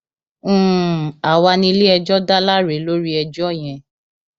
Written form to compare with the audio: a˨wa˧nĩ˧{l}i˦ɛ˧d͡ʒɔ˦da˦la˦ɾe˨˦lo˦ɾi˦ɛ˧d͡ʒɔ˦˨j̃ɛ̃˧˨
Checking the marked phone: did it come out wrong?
no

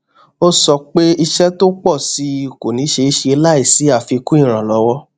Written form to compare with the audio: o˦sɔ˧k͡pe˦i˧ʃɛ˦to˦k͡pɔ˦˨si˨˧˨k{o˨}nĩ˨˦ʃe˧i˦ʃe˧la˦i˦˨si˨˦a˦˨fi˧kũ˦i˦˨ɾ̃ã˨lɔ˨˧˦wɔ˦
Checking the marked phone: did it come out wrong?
no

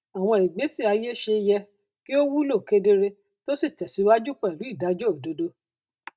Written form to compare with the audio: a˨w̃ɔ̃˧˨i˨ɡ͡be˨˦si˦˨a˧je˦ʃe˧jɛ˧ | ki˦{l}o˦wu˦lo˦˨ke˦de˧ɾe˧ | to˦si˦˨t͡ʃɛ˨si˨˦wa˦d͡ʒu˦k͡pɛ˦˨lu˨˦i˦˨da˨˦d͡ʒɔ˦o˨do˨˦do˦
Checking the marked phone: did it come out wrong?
yes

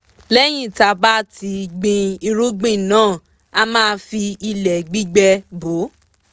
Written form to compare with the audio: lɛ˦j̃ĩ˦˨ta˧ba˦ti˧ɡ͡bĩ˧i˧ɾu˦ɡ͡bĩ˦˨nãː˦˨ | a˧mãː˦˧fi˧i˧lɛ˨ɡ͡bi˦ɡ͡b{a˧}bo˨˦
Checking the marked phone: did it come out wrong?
yes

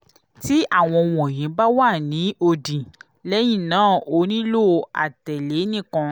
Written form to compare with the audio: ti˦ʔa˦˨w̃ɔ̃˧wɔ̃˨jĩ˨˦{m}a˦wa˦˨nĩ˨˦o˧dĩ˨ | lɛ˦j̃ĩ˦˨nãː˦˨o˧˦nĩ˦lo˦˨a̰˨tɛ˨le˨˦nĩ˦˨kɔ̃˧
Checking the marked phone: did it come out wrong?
yes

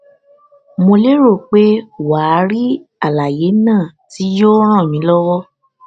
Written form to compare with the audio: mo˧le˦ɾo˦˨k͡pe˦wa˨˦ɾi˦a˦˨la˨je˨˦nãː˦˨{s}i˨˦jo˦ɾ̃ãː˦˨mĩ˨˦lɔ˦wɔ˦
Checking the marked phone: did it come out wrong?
yes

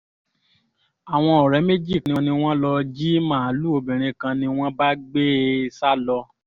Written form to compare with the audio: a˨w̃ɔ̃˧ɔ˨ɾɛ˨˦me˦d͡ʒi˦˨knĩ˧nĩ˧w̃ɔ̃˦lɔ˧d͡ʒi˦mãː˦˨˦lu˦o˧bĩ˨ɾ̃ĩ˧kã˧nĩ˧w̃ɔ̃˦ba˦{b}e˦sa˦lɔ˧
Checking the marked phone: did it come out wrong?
yes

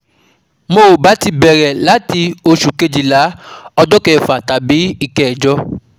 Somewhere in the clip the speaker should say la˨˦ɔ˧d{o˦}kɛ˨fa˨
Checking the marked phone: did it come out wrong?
yes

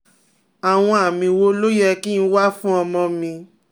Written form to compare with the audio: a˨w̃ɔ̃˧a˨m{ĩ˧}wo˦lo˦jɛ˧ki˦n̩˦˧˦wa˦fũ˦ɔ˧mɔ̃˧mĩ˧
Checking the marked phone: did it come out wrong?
no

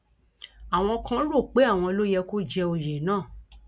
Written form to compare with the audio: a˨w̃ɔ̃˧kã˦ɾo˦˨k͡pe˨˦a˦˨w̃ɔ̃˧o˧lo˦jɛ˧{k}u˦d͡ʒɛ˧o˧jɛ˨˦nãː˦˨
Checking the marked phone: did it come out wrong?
no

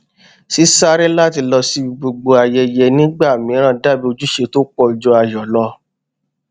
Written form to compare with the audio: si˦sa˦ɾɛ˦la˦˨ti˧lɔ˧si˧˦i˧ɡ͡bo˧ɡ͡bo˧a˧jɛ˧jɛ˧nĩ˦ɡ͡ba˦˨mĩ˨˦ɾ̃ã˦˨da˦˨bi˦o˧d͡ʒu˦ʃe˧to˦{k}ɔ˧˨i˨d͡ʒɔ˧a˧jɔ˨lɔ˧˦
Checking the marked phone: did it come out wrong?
yes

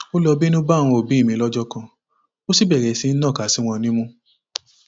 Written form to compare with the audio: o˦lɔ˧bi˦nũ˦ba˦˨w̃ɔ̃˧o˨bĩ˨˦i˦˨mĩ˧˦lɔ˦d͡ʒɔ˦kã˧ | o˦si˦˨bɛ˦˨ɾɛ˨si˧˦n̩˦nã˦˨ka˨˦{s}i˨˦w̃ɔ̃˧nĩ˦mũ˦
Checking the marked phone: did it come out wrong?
no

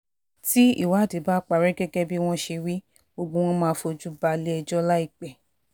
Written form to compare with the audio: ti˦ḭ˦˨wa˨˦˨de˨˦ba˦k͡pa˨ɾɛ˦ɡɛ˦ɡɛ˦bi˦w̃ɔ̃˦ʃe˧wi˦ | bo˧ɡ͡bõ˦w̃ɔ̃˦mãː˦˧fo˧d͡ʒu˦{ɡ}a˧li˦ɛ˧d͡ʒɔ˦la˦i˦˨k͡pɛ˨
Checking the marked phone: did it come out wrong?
yes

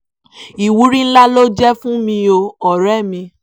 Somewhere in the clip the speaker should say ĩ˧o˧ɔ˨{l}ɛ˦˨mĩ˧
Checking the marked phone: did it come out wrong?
yes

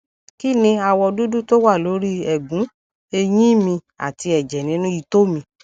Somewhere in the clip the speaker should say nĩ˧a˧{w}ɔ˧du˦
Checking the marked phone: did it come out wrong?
no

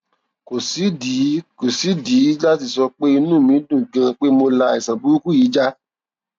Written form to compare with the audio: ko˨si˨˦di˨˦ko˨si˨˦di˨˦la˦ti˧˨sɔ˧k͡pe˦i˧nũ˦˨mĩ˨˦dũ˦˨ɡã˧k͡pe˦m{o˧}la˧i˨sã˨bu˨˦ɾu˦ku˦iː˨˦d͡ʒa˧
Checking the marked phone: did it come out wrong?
no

